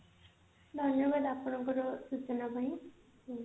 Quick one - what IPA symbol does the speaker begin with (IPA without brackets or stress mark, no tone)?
d̪ʱ